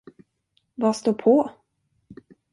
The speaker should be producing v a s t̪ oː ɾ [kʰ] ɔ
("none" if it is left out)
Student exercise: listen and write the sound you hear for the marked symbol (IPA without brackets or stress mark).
pʰ